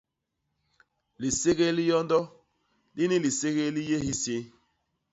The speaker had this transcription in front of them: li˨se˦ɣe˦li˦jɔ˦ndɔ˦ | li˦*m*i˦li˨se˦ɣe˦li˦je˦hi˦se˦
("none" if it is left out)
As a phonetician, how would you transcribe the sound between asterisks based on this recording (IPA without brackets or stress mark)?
n